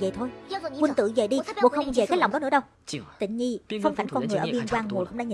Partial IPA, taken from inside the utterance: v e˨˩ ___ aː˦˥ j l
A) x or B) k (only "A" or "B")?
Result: B